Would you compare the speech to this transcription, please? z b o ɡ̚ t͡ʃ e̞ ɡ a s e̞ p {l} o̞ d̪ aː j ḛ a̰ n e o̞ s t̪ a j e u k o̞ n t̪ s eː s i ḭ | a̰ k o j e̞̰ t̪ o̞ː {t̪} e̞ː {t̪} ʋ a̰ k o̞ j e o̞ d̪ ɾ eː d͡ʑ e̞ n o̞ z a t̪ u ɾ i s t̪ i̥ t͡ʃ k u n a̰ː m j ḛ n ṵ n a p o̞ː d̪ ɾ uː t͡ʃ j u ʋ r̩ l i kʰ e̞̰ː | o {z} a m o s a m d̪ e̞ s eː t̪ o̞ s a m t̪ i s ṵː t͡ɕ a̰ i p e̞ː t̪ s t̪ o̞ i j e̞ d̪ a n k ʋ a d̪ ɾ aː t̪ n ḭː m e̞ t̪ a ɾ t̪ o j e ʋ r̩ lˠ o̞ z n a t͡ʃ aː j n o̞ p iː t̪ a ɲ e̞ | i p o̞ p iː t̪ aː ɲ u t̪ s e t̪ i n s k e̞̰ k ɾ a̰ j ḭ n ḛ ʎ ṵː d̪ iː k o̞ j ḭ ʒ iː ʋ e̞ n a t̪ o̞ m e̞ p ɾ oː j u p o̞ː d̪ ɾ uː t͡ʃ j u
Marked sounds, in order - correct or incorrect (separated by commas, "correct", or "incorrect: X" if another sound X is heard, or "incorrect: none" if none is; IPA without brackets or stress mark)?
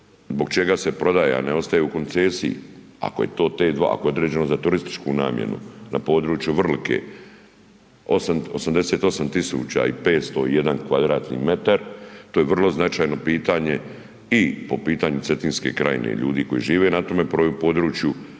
incorrect: ɾ, correct, incorrect: d̪, incorrect: s